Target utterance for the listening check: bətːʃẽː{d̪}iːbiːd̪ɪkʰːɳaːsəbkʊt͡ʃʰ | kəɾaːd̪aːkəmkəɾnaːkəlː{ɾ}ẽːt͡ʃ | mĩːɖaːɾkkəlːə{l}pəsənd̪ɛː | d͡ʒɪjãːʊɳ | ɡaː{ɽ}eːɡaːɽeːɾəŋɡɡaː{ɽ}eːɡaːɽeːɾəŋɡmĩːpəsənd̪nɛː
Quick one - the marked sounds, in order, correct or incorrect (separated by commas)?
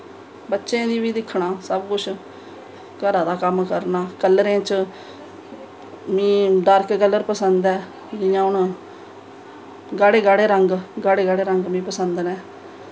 correct, correct, incorrect, correct, correct